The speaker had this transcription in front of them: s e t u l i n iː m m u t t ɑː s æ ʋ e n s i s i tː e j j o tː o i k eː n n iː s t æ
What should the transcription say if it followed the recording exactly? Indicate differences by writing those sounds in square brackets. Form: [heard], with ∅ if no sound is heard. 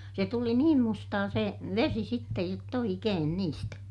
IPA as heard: s e t u l i n iː m m u [s] t ɑː s [e] ʋ e [∅] s i s i tː e j j o tː o i k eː n n iː s t æ